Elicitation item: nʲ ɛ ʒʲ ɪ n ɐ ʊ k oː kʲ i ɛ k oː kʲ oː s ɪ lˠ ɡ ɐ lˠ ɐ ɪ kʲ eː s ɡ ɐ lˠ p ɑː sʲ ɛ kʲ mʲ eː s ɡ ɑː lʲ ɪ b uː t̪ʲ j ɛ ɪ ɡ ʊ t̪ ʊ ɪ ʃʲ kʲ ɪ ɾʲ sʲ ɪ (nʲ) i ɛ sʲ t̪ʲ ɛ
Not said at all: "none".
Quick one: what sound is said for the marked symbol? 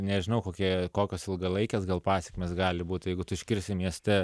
mʲ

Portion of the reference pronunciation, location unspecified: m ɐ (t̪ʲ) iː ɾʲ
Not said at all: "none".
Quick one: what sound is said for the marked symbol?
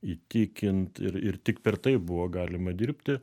d̪ʲ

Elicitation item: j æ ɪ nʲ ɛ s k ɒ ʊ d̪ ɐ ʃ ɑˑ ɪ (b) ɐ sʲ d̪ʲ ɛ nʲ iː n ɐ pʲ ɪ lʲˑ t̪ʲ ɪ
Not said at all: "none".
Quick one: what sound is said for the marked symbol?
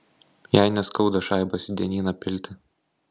b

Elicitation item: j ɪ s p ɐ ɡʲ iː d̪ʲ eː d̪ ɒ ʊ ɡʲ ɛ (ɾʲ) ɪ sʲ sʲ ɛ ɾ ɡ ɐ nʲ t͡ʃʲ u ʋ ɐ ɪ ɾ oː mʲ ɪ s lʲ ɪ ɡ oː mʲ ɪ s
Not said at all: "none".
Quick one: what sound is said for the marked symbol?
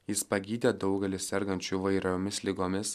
lʲ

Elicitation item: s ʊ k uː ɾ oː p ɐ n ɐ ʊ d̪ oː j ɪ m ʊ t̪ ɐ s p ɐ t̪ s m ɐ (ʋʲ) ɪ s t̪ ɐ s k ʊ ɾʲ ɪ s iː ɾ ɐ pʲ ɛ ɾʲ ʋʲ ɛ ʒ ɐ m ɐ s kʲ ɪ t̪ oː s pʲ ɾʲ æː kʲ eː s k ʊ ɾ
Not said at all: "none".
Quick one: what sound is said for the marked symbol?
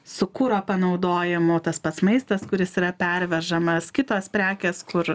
none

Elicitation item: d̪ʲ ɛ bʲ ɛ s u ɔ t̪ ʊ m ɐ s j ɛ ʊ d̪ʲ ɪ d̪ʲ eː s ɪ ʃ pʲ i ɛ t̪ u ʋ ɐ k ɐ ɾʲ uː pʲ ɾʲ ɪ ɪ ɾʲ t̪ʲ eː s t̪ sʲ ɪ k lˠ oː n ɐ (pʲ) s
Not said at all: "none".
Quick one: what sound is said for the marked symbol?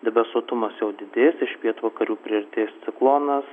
none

